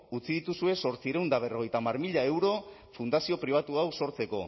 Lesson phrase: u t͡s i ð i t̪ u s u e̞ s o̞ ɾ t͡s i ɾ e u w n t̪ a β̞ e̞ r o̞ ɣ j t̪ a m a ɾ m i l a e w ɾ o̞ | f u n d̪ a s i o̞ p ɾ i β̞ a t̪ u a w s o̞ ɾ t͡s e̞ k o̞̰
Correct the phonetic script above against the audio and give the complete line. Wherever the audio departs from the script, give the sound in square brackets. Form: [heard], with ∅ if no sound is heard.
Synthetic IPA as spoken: u t͡s i ð i t̪ u s u e̞ s o̞ ɾ t͡s i ɾ e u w n [d̪] a β̞ e̞ r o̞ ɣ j t̪ a m a ɾ m i [ʎ] a e w ɾ o̞ | f u n d̪ a s i o̞ p ɾ i β̞ a t̪ u a w s o̞ ɾ t͡s e̞ k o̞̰